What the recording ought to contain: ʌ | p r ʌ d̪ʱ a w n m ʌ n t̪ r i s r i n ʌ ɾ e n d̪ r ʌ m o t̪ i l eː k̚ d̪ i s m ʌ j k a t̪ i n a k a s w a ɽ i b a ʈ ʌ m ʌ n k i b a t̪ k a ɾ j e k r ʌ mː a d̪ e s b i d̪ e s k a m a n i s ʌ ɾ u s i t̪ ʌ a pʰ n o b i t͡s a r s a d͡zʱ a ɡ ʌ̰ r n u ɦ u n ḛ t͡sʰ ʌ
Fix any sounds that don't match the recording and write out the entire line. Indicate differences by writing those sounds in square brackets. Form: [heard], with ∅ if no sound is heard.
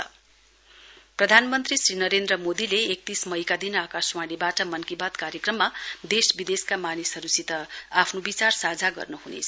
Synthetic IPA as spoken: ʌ | p r ʌ d̪ʱ a [∅] n m ʌ n t̪ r i s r i n ʌ ɾ e n d̪ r ʌ m o [d̪] i l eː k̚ [t̪] i s m ʌ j k a [d̪] i n a k a s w a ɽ i b a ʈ ʌ m ʌ n k i b a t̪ k a ɾ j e k r ʌ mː a d̪ e s b i d̪ e s k a m a n i s ʌ ɾ u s i t̪ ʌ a pʰ n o b i t͡s a r s a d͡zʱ a ɡ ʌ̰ r n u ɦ u n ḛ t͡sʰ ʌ